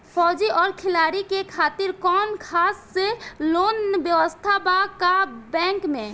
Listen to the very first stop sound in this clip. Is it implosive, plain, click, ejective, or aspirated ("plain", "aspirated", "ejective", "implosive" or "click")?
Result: aspirated